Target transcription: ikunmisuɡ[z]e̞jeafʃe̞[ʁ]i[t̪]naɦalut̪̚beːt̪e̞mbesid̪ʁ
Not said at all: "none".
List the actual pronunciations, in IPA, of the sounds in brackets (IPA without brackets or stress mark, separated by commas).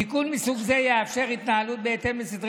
z, ʁ, t̪